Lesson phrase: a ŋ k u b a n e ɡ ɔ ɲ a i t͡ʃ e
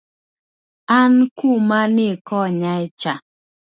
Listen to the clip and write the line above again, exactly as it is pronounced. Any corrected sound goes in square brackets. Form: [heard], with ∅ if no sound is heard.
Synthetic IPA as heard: a [n] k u [m] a n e [k] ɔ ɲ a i t͡ʃ [a]